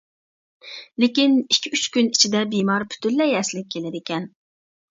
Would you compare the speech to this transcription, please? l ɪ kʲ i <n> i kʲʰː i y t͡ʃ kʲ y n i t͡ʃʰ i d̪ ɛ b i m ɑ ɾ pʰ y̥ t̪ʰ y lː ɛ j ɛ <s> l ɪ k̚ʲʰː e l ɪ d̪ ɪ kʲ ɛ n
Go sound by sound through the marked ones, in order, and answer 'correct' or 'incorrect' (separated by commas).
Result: correct, correct